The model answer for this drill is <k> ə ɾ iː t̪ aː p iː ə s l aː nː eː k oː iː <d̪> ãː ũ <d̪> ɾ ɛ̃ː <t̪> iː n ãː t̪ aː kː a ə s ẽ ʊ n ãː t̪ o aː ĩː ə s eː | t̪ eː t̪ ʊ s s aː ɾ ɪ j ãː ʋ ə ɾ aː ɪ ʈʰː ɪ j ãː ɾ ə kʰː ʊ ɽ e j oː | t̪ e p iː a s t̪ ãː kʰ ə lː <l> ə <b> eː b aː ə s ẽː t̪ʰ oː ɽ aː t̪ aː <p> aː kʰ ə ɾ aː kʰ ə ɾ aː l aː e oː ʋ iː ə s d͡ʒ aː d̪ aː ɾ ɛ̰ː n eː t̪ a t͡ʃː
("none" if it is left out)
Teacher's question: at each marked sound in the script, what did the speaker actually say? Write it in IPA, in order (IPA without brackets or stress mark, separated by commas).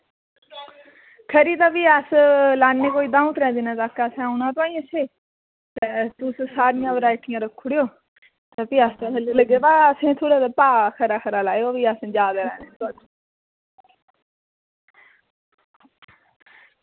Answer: kʰ, d̪, t̪, d̪, l, ɡ, p